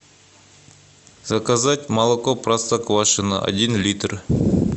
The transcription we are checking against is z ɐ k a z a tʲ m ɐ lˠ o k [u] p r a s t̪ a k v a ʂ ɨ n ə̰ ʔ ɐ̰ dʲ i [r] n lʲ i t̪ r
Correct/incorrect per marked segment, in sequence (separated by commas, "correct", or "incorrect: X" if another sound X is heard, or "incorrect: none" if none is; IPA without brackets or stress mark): incorrect: o, incorrect: none